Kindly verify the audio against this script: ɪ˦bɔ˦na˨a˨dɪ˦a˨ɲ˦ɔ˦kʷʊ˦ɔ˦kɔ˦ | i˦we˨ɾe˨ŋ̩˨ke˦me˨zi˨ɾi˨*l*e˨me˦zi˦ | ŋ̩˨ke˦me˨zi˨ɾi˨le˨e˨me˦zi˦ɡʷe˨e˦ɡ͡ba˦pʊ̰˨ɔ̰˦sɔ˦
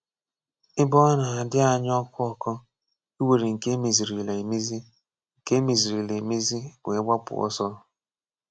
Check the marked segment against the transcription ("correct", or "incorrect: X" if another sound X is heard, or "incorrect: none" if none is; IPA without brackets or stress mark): correct